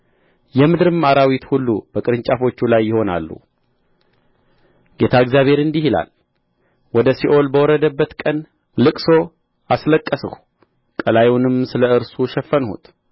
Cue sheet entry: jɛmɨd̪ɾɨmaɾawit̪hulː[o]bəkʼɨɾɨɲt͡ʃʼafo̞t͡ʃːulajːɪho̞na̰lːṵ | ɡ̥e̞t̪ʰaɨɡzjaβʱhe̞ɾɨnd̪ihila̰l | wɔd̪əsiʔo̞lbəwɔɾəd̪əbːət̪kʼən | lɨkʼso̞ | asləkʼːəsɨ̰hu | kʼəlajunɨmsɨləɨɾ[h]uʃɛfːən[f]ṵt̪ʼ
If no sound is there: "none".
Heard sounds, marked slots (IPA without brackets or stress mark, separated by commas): u, s, h